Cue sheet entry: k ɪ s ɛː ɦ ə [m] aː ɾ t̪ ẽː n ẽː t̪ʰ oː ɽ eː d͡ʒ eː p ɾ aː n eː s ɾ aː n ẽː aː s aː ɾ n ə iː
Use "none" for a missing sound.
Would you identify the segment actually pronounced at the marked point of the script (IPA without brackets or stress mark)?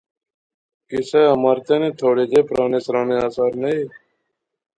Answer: m